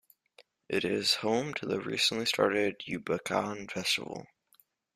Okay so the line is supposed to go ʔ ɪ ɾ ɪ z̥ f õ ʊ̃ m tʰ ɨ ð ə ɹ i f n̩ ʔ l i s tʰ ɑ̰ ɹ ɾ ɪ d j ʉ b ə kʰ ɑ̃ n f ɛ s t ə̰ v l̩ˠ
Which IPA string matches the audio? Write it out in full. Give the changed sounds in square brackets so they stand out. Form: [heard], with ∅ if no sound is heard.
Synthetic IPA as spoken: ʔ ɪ ɾ ɪ z̥ [h] õ ʊ̃ m tʰ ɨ ð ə ɹ i [s] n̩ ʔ l i s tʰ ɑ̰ ɹ ɾ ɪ d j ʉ b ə kʰ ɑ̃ n f ɛ s t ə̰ v l̩ˠ